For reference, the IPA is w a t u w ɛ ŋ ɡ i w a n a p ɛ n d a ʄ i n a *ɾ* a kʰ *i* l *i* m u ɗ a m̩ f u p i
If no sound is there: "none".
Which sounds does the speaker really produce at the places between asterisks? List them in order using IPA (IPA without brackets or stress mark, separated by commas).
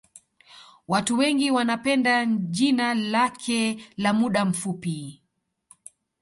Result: l, ɛ, a